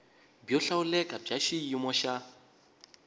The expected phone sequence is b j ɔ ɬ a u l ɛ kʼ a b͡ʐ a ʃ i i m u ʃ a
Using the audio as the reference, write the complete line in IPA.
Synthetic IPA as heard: b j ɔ ɬ a u l ɛ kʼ a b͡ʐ a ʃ i i m ɔ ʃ a